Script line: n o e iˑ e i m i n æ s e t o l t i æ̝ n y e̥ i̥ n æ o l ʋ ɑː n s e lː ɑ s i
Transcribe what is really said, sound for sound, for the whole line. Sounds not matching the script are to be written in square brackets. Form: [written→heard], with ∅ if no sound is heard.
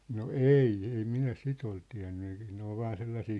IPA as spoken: n o e iˑ e i m i n æ s [e→i] t o l t i æ̝ [n→nː] y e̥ i̥ n [æ→e] o l ʋ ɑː n s e lː ɑ s [i→iː]